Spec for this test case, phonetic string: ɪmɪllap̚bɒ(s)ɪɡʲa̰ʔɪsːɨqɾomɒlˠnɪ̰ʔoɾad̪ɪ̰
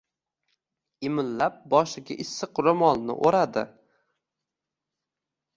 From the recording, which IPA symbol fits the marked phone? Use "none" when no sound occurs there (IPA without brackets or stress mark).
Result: ʃ